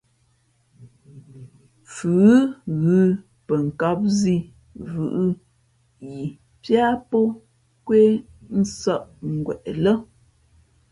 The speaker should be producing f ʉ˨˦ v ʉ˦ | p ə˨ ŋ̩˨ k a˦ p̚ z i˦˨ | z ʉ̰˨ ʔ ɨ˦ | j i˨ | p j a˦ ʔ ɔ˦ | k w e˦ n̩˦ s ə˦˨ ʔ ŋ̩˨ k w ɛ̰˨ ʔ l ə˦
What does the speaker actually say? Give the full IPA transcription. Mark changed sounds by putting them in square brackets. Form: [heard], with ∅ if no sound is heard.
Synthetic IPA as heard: f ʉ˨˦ [ɣ] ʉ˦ | p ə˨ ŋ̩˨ k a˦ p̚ z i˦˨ | [v] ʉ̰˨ ʔ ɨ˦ | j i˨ | p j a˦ [p] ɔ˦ | k w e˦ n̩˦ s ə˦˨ ʔ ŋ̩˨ [ɡ] w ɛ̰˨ ʔ l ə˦